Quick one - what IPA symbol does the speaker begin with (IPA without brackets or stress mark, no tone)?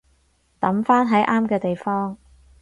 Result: t̪